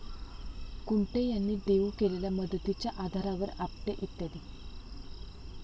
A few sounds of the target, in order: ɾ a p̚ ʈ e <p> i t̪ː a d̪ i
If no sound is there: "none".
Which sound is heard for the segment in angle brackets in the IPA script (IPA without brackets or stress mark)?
ʔ